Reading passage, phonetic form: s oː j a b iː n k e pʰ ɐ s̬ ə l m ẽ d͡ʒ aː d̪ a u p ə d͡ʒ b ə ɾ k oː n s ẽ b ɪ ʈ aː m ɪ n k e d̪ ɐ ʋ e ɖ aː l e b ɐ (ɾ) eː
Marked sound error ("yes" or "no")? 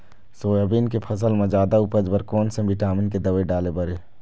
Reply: no